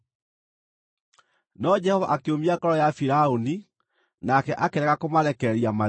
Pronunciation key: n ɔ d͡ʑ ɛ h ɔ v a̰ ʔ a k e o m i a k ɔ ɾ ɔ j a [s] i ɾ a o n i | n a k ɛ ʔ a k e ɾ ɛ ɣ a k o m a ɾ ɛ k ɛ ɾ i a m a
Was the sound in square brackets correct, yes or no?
no